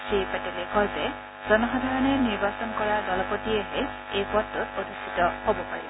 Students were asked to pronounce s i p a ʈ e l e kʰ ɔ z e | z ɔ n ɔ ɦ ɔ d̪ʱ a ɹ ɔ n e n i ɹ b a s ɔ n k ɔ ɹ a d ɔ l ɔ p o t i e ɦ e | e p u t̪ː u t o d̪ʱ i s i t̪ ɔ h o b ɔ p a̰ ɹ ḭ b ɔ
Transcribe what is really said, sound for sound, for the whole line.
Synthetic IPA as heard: s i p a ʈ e l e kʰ ɔ z e | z ɔ n ɔ ɦ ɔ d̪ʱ a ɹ ɔ n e n i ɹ b a s ɔ n k ɔ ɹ a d ɔ l ɔ p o t i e ɦ e | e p ɔ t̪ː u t o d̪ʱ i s i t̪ ɔ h o b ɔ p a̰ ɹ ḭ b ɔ